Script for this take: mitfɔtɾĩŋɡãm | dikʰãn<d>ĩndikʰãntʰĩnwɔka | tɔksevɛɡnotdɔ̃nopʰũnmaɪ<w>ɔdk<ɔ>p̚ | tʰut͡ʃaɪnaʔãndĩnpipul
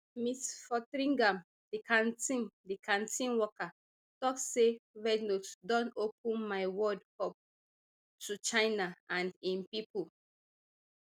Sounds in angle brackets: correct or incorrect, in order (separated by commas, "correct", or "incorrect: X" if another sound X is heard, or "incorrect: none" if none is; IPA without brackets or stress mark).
incorrect: t, correct, correct